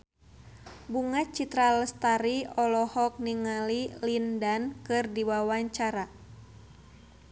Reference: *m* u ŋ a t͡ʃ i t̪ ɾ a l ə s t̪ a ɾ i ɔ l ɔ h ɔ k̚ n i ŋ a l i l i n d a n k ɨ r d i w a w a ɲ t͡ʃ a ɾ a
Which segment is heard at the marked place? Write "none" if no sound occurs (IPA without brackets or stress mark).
b